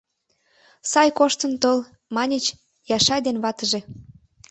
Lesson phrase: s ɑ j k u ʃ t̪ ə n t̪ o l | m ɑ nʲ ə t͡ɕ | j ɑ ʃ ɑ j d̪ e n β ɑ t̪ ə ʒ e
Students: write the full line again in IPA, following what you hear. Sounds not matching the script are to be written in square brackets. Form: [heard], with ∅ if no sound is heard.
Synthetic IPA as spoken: s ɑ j k [o] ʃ t̪ ə n t̪ o l | m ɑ nʲ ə t͡ɕ | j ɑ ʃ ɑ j d̪ e n β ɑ t̪ ə ʒ e